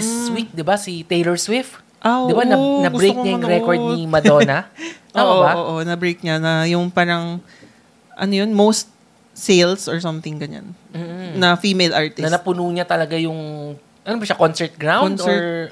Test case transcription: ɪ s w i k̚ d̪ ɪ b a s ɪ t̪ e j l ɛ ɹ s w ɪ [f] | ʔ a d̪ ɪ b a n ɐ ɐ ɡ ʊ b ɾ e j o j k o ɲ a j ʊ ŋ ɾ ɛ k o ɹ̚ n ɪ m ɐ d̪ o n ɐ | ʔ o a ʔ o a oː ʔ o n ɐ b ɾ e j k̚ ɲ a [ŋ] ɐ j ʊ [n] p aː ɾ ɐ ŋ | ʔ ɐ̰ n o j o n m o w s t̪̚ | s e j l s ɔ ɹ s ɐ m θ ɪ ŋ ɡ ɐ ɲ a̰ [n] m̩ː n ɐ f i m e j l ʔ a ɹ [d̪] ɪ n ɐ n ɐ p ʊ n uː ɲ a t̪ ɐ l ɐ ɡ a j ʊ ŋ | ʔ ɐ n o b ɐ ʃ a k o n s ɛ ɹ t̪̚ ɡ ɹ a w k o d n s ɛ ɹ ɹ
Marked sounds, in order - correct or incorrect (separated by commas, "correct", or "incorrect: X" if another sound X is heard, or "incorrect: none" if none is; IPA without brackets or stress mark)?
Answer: correct, incorrect: n, incorrect: ŋ, correct, incorrect: t̪